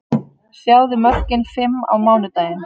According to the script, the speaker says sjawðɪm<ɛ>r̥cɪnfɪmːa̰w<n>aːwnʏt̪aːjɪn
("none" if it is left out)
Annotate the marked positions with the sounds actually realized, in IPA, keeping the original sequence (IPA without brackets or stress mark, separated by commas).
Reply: œ, m